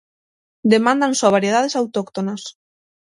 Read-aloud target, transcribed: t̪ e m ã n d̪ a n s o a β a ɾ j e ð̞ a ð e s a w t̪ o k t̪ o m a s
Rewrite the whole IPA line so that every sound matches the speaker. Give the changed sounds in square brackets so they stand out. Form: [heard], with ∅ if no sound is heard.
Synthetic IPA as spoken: [d̪] e m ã n d̪ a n s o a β a ɾ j e ð̞ a ð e s a w t̪ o k t̪ o [n] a s